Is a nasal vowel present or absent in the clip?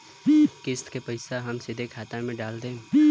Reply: present